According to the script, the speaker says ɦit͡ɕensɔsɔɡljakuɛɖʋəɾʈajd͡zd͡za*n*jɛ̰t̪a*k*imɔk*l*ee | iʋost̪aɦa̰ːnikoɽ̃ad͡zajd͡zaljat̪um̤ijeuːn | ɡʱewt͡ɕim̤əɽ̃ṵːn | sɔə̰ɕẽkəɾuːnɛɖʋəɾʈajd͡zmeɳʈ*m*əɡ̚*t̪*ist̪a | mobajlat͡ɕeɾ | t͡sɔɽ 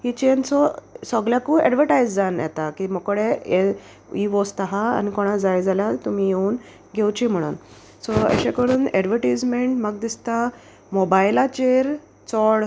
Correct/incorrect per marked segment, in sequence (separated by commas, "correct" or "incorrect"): correct, correct, incorrect, correct, incorrect